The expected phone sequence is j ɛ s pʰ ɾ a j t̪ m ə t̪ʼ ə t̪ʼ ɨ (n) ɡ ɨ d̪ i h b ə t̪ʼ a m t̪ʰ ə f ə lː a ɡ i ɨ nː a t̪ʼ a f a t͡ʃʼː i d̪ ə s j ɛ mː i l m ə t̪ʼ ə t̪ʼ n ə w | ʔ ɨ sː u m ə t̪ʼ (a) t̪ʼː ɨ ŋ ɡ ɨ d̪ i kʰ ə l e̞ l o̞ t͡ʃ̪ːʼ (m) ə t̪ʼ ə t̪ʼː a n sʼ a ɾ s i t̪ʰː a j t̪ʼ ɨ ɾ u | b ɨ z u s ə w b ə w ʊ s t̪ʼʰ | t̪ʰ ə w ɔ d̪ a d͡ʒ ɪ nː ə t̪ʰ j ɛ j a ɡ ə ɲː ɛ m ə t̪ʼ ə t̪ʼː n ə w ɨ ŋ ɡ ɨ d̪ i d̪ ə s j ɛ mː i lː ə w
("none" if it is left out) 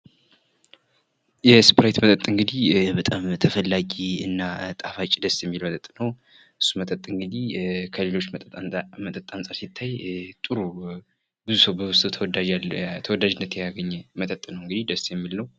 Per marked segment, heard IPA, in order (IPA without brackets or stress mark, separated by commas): ŋ, ə, m